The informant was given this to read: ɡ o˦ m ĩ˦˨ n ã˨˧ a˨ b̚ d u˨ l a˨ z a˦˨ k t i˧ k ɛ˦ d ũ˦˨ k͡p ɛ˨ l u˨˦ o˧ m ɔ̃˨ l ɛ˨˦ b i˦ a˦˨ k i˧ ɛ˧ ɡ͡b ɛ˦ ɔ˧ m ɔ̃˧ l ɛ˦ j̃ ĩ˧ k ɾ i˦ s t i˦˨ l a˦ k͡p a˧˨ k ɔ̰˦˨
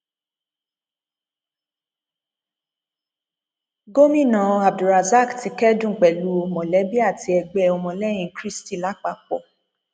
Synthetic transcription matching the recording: ɡ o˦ m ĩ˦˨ n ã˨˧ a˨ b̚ d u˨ ɾ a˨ z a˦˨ k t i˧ k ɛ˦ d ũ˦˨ k͡p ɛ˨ l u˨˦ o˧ m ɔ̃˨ l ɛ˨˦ b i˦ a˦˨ t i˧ ɛ˧ ɡ͡b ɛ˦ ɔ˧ m ɔ̃˧ l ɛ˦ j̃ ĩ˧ k ɾ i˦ s t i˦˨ l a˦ k͡p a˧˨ k͡p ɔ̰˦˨